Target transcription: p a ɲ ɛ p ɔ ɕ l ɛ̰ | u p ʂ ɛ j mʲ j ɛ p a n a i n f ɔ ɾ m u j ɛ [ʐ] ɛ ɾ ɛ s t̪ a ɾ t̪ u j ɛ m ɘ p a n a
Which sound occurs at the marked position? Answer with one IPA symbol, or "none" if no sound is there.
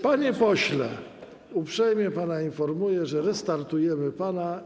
ʐ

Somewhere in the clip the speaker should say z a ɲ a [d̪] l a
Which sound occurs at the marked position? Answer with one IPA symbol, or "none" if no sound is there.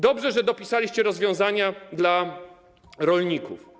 d̪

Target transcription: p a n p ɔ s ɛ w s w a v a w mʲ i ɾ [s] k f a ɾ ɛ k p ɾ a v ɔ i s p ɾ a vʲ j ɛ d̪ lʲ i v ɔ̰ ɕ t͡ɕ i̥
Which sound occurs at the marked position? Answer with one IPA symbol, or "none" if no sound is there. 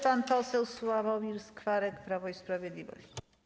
s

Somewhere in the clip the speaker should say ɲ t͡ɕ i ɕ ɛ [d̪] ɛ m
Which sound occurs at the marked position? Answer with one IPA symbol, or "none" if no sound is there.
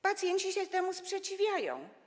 t̪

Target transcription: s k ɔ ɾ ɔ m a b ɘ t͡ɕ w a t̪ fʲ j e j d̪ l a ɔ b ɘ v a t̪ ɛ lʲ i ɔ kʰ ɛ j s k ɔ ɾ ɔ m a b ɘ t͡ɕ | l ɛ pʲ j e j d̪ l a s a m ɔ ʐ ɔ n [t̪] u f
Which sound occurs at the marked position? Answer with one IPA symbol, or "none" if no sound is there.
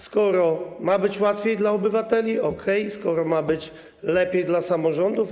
d̪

